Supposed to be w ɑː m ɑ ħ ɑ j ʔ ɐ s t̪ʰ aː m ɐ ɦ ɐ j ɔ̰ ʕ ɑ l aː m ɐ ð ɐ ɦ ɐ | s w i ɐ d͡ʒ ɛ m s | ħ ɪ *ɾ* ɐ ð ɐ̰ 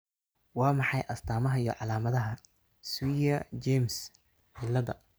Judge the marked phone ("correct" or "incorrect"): incorrect